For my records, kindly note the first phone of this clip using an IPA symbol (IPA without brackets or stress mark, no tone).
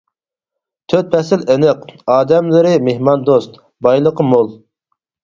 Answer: t̪ʰ